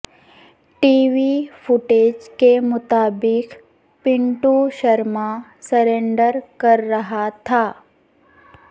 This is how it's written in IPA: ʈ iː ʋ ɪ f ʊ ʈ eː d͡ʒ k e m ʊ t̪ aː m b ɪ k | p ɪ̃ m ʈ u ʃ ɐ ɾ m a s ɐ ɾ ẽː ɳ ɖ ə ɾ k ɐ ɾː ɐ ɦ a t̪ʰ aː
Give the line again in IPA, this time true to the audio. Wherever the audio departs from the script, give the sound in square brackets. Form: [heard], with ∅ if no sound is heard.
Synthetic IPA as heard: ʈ iː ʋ [i] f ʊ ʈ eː d͡ʒ k e m ʊ t̪ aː [∅] b ɪ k | p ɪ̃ [ɳ] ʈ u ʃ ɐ ɾ m a s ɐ ɾ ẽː ɳ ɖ ə ɾ k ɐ ɾː ɐ ɦ a t̪ʰ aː